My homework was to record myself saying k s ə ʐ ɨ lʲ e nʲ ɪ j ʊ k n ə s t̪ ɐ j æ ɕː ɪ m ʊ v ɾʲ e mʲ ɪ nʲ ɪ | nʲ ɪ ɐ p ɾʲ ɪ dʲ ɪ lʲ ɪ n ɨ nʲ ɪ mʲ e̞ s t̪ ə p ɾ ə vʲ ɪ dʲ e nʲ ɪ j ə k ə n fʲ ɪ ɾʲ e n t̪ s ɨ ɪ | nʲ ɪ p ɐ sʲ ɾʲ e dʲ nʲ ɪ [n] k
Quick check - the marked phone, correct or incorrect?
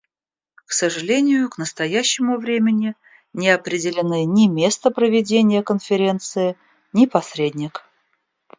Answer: incorrect